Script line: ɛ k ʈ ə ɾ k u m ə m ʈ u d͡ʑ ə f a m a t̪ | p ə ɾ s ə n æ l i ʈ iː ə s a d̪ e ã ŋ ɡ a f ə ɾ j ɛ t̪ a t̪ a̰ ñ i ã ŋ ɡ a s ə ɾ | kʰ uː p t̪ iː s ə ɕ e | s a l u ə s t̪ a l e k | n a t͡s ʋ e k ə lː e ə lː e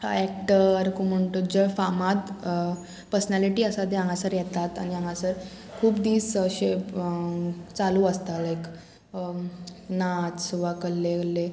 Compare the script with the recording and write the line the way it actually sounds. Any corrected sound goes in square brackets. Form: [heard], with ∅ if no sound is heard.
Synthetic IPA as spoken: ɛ k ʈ ə ɾ k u m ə [ɳ] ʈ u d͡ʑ ə f a m a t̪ | p ə ɾ s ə n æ l i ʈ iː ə s a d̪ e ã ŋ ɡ a [s] ə ɾ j ɛ t̪ a t̪ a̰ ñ i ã ŋ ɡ a s ə ɾ | kʰ uː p [d̪] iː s ə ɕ e | [t͡s] a l u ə s t̪ a l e k | n a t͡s ʋ [a] k ə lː e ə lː e